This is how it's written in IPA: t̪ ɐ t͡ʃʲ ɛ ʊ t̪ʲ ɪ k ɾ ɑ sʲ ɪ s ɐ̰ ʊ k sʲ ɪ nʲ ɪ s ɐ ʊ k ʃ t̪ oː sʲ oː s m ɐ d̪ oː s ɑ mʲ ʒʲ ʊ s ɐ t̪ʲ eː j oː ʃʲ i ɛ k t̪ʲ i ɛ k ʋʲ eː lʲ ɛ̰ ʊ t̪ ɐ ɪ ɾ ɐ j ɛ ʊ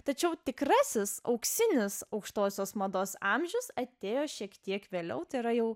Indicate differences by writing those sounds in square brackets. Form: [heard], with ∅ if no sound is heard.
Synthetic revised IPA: t̪ ɐ t͡ʃʲ ɛ ʊ t̪ʲ ɪ k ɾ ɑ sʲ ɪ s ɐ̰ ʊ k sʲ ɪ nʲ ɪ s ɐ ʊ k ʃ t̪ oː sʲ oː s m ɐ d̪ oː s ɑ mʲ ʒʲ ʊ s ɐ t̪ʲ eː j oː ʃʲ i ɛ k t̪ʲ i ɛ k ʋʲ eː lʲ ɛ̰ ʊ t̪ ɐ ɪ ɾ ɐ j ɛ ʊ